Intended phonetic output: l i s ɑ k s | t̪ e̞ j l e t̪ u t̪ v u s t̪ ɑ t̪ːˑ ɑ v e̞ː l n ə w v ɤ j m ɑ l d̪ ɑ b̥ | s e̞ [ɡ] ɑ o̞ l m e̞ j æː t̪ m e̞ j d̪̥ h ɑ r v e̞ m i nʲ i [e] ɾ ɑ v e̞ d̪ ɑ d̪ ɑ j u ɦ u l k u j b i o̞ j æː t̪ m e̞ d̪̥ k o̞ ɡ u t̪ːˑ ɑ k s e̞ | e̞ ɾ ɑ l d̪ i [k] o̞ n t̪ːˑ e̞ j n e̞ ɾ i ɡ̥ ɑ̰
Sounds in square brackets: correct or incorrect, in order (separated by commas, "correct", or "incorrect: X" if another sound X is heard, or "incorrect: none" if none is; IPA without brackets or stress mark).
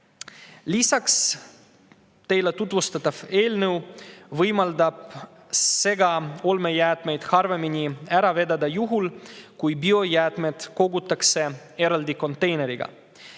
correct, incorrect: æ, correct